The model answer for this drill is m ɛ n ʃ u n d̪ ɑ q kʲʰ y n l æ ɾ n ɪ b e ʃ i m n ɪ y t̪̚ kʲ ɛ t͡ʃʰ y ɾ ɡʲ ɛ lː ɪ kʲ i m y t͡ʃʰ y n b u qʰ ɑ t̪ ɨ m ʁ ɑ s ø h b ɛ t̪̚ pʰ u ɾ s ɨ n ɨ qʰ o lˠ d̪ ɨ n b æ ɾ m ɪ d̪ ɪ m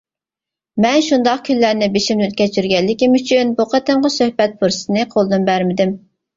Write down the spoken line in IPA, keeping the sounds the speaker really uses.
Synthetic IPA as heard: m ɛ n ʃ u n d̪ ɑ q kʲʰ y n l æ ɾ n ɪ b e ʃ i m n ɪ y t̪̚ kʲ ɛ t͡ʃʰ y ɾ ɡʲ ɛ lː ɪ kʲ i m y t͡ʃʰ y n b u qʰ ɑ t̪ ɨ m ʁ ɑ s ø h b ɛ t̪̚ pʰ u ɾ s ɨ n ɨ qʰ o lˠ d̪ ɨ n b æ ɾ m ɪ d̪ ɪ m